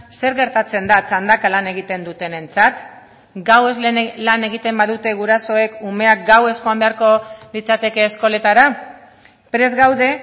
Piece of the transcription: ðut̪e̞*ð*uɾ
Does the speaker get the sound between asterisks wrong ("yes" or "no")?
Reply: yes